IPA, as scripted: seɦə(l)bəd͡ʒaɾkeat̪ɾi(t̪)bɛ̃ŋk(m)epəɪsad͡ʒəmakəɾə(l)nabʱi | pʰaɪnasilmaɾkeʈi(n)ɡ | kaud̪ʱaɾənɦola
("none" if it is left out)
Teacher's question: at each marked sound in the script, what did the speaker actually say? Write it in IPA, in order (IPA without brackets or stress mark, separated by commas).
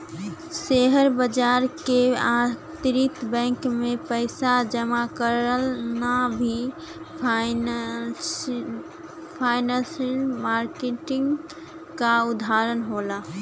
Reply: ɾ, t̪, m, l, ŋ